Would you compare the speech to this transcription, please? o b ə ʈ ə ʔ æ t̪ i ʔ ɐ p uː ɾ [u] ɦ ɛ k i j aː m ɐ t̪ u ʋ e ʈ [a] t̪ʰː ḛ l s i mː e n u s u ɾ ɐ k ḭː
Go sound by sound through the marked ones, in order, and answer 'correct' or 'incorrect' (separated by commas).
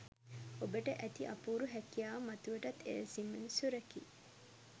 correct, incorrect